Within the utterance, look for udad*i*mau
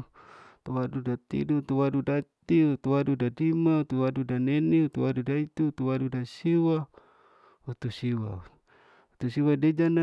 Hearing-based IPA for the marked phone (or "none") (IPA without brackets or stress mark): i